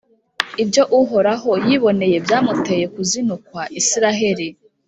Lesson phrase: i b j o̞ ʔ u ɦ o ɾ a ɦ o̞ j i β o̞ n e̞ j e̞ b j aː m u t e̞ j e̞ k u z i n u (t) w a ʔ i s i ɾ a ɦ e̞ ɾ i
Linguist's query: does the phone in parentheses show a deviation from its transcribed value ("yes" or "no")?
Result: yes